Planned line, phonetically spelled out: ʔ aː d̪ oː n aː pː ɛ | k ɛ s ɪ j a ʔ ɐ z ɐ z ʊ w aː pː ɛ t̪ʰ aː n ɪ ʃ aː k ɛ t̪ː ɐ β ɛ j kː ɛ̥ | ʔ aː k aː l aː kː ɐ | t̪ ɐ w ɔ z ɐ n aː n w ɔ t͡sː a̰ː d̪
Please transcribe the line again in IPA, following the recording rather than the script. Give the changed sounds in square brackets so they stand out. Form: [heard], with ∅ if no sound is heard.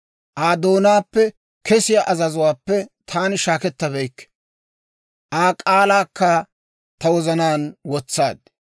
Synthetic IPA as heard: ʔ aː d̪ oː n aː pː ɛ | k ɛ s ɪ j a ʔ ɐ z ɐ z ʊ w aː pː ɛ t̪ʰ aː n ɪ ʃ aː k ɛ t̪ː ɐ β ɛ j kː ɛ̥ | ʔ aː [kʼ] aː l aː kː ɐ | t̪ ɐ w ɔ z ɐ n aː n w ɔ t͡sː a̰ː d̪